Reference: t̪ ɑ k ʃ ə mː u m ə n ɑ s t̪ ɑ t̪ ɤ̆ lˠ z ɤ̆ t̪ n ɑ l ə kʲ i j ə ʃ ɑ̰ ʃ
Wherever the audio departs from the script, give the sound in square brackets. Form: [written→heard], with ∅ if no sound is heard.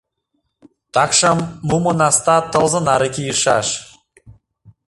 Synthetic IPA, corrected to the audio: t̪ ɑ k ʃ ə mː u m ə n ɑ s t̪ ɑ t̪ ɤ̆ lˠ z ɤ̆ [t̪→∅] n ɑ [l→ɾ] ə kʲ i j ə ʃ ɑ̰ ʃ